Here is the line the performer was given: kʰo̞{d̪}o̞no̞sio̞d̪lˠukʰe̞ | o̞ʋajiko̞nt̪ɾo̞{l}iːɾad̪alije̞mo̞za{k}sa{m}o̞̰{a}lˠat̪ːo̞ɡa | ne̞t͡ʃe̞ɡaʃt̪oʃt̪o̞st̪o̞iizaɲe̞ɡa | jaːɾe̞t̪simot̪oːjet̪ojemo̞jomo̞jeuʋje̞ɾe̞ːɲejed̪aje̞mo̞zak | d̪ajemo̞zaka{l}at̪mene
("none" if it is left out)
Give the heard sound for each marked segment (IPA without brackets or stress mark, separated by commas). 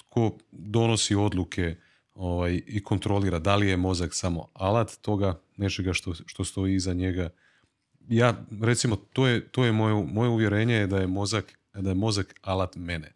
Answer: d̪, l, k, m, a, l